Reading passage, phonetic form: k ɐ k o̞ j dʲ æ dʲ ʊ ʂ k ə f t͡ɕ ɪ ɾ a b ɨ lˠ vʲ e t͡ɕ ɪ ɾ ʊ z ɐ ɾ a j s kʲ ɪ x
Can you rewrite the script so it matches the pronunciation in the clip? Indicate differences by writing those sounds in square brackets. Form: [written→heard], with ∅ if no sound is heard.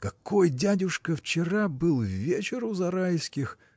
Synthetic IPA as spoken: k ɐ k o̞ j dʲ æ dʲ ʊ ʂ k ə f t͡ɕ ɪ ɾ a b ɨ lˠ vʲ e t͡ɕ ɪ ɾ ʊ z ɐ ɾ a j s kʲ ɪ x